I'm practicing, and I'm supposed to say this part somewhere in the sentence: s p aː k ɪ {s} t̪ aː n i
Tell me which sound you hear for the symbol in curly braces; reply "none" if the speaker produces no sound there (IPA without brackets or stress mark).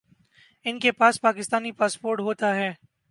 s